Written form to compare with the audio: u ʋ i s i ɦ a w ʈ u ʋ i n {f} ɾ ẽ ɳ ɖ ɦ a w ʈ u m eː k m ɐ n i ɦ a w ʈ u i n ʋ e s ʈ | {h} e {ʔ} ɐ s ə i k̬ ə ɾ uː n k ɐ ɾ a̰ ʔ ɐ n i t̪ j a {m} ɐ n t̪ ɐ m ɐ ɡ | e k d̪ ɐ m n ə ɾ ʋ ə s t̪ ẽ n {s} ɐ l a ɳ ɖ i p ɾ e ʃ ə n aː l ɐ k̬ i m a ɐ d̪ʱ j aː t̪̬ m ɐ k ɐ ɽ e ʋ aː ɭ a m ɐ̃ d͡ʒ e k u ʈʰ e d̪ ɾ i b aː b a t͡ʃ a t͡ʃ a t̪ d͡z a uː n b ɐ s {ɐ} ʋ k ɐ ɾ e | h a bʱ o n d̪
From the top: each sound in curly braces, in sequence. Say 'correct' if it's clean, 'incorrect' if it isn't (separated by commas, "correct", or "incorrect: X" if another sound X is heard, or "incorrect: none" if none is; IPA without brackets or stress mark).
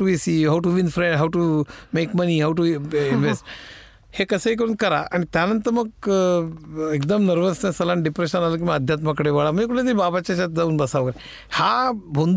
correct, correct, incorrect: k, incorrect: n, correct, incorrect: a